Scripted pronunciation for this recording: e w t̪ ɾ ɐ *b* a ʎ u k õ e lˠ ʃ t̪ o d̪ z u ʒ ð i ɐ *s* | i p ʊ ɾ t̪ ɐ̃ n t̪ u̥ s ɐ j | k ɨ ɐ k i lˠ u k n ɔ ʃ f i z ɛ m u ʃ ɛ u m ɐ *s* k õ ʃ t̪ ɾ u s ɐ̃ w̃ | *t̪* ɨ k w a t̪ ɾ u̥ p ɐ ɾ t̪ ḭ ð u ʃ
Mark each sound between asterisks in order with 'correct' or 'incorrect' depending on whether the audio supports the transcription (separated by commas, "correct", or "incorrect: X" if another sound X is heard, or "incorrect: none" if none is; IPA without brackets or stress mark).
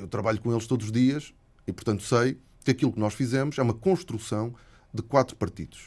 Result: incorrect: β, incorrect: ʃ, incorrect: none, incorrect: d̪